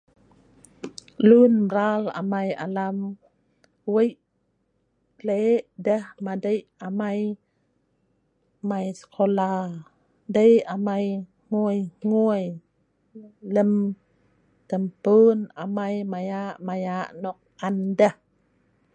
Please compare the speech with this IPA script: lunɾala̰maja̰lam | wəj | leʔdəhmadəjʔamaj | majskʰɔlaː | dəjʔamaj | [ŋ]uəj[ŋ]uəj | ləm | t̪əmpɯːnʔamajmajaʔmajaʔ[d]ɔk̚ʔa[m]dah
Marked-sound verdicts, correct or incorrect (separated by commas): correct, correct, incorrect, incorrect